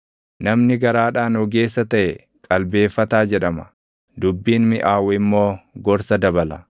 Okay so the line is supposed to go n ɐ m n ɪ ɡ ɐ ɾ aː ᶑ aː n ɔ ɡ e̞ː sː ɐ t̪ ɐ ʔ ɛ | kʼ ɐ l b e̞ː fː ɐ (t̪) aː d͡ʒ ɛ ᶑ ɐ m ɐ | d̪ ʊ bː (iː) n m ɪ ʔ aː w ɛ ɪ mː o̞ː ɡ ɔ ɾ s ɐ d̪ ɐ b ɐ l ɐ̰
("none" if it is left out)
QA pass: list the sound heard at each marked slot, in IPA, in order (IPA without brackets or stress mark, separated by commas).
t̪, iː